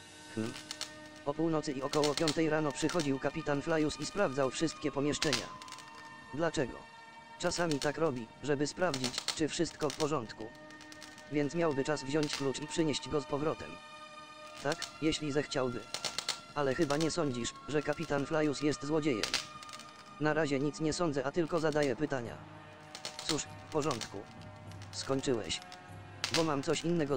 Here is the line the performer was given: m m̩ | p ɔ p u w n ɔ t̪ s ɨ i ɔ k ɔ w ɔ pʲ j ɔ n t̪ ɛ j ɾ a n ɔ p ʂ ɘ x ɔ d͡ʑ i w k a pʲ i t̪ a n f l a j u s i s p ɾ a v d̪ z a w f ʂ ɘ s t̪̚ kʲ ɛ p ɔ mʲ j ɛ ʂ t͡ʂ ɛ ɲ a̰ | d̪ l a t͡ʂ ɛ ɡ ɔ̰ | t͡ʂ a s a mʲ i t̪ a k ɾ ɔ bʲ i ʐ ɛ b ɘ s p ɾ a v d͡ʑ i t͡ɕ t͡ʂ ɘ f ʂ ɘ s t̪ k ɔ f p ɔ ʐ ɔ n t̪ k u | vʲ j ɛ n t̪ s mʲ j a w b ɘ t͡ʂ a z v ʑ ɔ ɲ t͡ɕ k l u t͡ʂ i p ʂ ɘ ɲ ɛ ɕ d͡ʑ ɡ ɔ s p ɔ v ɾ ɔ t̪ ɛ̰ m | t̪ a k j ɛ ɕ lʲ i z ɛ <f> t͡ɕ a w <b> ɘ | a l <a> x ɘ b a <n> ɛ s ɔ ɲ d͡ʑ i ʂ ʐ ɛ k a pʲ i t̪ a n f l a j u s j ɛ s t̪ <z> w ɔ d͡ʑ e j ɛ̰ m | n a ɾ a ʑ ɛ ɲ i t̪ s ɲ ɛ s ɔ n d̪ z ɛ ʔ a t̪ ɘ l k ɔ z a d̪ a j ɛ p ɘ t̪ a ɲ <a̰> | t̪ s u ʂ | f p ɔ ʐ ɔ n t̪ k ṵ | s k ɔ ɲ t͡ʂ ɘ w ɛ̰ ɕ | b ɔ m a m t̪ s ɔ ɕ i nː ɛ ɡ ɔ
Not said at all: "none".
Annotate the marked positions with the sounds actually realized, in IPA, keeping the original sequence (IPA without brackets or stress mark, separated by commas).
x, b, ɛ, ɲ, z, a̰